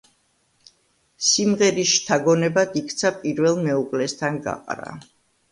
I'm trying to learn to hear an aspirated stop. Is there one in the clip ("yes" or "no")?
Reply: yes